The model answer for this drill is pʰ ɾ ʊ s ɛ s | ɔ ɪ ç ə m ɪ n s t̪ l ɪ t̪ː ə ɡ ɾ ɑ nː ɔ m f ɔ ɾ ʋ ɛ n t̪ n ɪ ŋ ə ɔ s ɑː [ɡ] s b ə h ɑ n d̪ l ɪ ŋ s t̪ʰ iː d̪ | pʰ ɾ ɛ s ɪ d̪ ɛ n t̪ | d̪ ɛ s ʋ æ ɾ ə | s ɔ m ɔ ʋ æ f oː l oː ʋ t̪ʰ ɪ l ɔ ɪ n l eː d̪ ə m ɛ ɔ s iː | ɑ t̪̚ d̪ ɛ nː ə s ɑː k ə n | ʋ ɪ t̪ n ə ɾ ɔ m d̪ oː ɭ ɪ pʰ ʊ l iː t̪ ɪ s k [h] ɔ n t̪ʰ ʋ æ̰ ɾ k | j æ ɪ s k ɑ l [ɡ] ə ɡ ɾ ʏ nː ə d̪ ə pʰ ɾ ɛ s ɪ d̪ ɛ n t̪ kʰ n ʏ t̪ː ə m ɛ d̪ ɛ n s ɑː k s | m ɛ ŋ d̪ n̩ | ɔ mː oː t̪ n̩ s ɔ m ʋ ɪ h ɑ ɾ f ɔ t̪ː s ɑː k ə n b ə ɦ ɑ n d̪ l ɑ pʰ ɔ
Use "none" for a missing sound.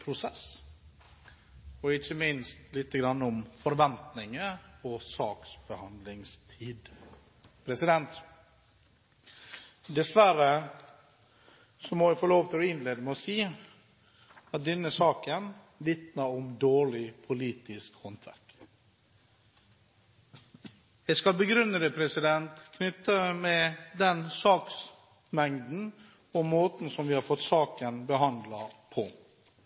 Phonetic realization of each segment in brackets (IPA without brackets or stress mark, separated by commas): k, h, b